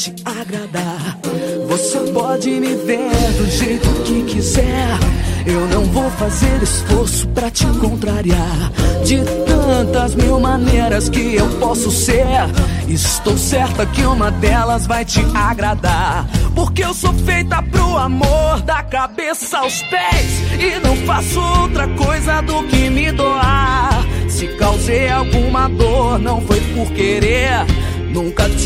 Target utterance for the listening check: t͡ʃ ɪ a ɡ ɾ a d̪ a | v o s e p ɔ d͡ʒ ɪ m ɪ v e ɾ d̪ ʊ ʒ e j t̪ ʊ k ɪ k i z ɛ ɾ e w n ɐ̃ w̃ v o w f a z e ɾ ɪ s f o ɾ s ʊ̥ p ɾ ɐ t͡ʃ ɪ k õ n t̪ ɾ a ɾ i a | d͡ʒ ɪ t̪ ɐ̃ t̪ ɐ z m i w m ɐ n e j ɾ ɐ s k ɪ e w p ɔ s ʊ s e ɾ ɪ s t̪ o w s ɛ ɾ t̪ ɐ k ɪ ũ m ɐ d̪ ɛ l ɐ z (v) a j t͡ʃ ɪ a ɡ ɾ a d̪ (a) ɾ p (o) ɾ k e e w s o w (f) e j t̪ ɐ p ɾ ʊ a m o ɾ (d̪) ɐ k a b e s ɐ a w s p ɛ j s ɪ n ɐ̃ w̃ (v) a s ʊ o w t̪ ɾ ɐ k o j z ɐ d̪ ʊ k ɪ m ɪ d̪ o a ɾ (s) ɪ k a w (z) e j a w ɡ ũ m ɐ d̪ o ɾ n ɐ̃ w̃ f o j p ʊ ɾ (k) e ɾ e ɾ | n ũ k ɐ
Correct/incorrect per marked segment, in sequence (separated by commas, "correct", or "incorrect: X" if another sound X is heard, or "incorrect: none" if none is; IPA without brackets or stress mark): correct, correct, correct, correct, correct, incorrect: f, correct, correct, correct